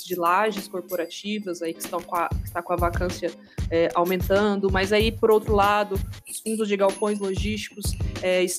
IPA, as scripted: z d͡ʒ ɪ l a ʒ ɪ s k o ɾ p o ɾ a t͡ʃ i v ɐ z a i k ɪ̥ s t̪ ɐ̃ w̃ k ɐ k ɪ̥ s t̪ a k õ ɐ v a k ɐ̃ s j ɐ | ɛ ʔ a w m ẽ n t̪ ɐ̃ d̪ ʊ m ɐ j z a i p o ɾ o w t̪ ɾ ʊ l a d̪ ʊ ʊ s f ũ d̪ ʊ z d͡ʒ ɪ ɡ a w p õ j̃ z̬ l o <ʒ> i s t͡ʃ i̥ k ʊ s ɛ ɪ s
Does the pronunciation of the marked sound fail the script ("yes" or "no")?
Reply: no